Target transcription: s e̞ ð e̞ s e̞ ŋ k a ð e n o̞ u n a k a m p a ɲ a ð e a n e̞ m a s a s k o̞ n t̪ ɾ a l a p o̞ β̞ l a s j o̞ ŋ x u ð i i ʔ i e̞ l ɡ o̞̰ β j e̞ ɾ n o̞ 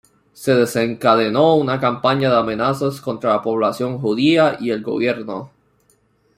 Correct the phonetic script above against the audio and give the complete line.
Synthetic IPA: s e̞ ð e̞ s e̞ ŋ k a ð e n o̞ u n a k a m p a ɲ a ð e a m e̞ n a s a s k o̞ n t̪ ɾ a l a p o̞ β̞ l a s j o̞ ŋ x u ð i a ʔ i e̞ l ɡ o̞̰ β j e̞ ɾ n o̞